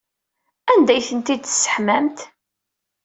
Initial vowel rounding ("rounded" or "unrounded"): unrounded